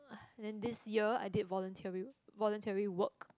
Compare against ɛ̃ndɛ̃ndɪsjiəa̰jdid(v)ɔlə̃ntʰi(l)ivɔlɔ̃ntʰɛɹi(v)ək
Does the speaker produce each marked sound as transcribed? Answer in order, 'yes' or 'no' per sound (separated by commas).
yes, no, no